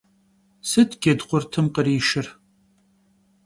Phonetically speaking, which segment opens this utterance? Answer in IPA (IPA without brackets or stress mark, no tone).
s